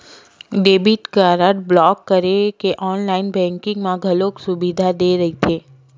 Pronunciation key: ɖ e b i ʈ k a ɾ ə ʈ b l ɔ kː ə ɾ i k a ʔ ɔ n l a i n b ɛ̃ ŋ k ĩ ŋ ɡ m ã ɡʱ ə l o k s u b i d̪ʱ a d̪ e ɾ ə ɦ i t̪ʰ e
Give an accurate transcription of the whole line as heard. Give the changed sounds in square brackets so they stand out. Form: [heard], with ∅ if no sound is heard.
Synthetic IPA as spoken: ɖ e b i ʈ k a ɾ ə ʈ b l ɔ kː ə ɾ [e] k [e] ʔ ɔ n l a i n b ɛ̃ ŋ k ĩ ŋ ɡ m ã ɡʱ ə l o k s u b i d̪ʱ a d̪ e ɾ ə ɦ i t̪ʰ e